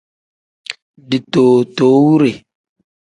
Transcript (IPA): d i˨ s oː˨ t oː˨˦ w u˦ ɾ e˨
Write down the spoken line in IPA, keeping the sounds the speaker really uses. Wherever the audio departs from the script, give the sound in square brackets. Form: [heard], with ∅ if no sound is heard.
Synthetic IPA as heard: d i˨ [t] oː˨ t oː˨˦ w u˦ ɾ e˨